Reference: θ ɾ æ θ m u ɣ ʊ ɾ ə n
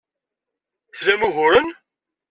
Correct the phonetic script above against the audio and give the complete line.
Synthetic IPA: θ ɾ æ m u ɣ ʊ ɾ ə n

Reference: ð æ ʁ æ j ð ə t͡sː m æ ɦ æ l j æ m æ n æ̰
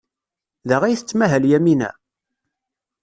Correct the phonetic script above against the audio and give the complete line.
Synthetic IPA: ð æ ʁ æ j θ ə t͡sː m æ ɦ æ l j æ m i n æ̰

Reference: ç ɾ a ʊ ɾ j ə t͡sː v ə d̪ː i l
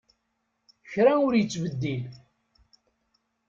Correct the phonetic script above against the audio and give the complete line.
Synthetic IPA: ç ɾ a ʊ ɾ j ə t͡sː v ə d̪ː i l

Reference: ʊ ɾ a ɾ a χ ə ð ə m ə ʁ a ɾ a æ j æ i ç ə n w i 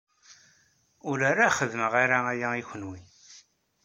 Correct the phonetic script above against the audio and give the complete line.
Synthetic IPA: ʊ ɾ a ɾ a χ ə ð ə m ə ʁ a ɾ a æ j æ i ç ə n w i

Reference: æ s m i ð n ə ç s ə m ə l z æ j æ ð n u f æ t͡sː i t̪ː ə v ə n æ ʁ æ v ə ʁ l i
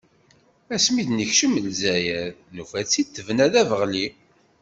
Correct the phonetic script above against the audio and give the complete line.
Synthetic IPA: æ s m i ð n ə ç ʃ ə m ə l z æ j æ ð n u f æ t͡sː i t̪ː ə v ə n æ ð æ v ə ʁ l i

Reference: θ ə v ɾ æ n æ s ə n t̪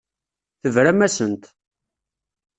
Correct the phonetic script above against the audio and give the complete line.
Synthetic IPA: θ ə v ɾ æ m æ s ə n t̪

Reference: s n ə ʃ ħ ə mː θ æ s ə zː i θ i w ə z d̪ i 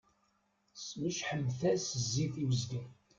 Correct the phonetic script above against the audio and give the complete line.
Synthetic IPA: s m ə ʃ ħ ə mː θ æ s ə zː i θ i w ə z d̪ i

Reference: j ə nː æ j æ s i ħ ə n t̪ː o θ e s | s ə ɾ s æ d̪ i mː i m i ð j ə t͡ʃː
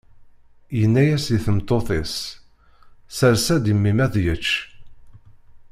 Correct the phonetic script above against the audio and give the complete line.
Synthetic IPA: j ə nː æ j æ s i θ ə m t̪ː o θ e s | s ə ɾ s æ d̪ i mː i m æ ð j ə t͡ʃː

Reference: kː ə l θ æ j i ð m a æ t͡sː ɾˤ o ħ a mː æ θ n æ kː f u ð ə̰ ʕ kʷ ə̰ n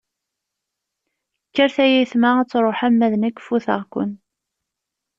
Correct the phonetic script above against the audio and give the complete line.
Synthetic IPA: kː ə ɾ θ æ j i θ m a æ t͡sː ɾˤ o ħ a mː æ ð n æ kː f u θ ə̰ ʁ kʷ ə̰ n

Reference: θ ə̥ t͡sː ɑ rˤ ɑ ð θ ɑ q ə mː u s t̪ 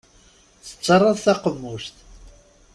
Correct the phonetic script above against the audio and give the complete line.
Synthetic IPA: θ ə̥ t͡sː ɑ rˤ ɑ ð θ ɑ q ə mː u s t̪

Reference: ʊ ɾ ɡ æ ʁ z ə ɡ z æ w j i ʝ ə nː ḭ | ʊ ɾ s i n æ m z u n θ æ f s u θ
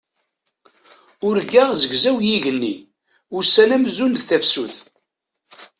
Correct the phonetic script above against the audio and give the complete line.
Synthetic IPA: ʊ ɾ ɡ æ ʁ z ə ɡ z æ w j i ʝ ə nː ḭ | ʊ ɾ s æ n æ m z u n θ æ f s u θ

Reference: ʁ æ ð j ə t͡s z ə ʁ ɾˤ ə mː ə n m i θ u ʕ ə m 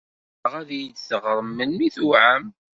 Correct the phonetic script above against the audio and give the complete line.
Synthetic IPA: ʁ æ ð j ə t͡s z ə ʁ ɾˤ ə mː ə n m i θ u ʕ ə m

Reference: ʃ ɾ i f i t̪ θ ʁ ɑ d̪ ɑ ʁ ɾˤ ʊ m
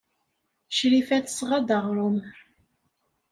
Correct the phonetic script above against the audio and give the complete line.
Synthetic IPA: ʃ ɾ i f æ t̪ s ʁ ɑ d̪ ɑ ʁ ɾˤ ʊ m

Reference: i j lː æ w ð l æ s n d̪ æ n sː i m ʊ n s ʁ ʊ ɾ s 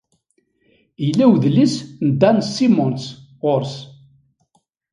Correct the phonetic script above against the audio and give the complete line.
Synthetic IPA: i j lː æ w ð l i s n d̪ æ n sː i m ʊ n s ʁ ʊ ɾ s

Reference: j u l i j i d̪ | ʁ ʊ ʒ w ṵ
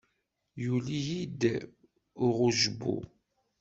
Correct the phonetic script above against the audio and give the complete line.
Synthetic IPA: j u l i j i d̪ | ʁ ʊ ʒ b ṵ

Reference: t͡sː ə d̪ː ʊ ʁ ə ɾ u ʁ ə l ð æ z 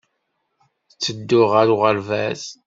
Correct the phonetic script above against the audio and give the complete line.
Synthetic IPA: t͡sː ə d̪ː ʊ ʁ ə ɾ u ʁ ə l v æ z

